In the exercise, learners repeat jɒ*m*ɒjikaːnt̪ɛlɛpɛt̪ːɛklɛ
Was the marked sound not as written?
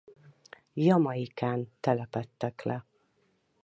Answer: no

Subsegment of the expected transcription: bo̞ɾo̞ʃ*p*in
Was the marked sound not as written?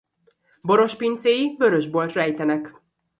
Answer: no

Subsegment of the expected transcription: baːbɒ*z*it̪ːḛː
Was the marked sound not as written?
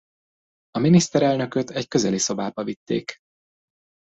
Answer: yes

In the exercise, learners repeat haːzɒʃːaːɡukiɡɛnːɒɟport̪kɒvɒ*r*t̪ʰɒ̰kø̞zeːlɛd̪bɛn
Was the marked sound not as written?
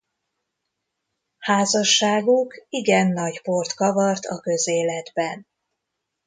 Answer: no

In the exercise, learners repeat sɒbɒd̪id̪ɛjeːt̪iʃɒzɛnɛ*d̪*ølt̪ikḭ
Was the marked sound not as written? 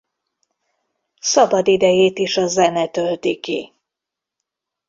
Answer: yes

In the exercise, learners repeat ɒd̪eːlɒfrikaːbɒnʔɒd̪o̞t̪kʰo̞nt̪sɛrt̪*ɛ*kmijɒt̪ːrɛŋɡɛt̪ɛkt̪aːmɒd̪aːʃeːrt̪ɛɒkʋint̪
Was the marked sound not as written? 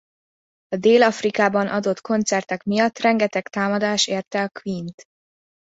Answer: no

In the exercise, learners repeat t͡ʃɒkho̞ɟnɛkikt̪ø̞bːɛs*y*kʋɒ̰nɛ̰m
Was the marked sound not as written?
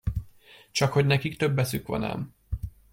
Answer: no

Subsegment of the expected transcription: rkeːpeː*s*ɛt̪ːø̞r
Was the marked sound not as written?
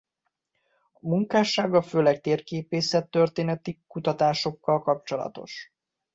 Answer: no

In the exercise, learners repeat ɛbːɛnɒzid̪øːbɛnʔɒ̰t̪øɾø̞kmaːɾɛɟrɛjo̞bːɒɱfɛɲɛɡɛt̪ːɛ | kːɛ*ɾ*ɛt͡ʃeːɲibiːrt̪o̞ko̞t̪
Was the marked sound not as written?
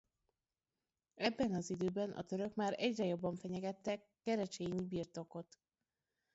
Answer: no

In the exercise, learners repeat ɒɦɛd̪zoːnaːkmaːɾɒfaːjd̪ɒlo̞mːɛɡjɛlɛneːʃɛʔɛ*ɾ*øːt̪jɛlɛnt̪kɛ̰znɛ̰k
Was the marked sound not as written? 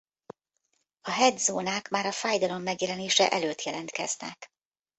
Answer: yes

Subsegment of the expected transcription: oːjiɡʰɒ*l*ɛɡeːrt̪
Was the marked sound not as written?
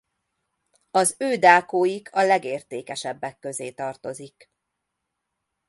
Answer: no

